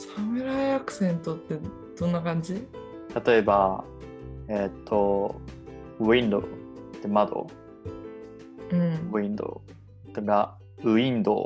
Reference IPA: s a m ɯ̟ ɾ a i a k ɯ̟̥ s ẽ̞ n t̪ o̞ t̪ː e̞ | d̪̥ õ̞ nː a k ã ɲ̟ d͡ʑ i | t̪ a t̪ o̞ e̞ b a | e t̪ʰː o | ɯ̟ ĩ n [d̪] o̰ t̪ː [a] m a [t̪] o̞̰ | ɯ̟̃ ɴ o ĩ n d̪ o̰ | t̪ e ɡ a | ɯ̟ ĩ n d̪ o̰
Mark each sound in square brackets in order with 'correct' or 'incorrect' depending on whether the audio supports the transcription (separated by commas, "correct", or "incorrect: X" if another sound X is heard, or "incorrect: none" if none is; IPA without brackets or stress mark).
correct, incorrect: e, incorrect: d̪